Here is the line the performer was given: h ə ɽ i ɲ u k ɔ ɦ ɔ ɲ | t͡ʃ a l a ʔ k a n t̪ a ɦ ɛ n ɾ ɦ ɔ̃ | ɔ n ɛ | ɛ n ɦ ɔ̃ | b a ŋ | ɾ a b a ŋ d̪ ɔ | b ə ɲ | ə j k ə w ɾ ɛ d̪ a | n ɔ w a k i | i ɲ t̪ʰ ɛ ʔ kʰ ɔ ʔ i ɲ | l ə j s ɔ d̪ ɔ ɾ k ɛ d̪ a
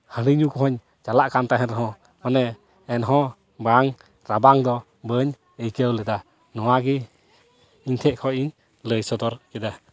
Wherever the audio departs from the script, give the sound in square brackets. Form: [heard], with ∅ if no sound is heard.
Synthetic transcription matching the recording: h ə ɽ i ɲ u k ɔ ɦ ɔ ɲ | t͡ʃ a l a ʔ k a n t̪ a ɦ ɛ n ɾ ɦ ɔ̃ | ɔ n ɛ | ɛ n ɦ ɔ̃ | b a ŋ | ɾ a b a ŋ d̪ ɔ | b ə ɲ | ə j k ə w [l] ɛ d̪ a | n ɔ w a [ɡ] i | i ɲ t̪ʰ ɛ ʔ kʰ ɔ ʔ i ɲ | l ə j s ɔ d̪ ɔ ɾ k ɛ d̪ a